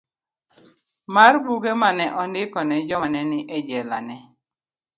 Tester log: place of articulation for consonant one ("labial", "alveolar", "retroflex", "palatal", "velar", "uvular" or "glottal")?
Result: labial